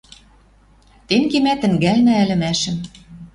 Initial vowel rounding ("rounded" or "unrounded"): unrounded